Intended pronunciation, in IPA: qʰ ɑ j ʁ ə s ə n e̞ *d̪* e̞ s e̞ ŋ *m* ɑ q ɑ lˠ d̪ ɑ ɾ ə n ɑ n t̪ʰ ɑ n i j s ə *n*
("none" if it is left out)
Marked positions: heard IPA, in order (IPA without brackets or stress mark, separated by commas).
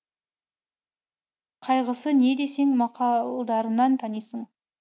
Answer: d̪, m, ɴ